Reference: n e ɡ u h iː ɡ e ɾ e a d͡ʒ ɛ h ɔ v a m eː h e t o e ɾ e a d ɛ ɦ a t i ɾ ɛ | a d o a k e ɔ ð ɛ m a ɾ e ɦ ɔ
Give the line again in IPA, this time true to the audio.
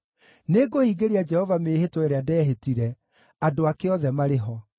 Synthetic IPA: n e ɡ o h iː ɡ e ɾ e a d͡ʒ ɛ h ɔ v a m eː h e t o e ɾ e a d ɛ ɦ e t i ɾ ɛ | a d o a k e ɔ ð ɛ m a ɾ e ɦ ɔ